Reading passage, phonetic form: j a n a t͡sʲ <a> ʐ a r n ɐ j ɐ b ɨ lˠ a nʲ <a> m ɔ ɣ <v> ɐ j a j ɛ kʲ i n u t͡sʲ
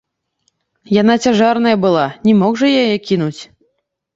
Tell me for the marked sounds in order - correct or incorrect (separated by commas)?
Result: correct, incorrect, incorrect